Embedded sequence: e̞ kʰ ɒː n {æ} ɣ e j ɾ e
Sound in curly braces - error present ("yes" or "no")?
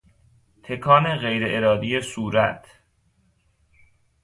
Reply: yes